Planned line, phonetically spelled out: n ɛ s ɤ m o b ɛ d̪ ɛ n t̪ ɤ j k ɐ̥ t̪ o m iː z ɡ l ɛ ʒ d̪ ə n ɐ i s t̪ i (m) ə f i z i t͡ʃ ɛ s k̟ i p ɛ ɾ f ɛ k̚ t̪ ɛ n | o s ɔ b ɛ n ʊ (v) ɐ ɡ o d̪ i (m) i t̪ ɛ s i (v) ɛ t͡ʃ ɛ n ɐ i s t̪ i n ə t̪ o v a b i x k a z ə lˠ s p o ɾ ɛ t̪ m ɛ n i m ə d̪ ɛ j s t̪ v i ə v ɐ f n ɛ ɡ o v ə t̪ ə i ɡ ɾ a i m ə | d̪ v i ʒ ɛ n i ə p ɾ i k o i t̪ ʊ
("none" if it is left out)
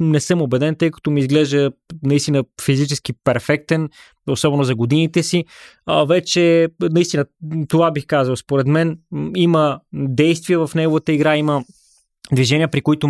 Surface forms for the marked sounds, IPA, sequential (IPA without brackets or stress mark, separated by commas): n, z, n, v